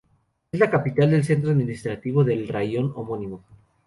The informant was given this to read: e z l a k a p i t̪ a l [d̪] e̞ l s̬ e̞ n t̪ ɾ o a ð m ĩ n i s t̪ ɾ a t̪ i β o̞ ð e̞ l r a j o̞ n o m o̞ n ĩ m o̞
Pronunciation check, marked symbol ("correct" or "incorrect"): correct